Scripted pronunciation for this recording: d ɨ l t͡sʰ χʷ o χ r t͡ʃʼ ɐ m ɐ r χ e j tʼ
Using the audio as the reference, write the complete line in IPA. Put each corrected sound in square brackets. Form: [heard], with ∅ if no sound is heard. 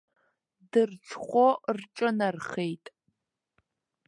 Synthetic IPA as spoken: d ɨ [r] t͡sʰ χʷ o [∅] r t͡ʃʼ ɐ [n] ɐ r χ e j tʼ